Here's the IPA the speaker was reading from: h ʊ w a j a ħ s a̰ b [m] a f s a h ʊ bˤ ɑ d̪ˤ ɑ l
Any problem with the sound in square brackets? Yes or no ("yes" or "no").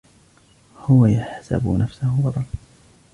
yes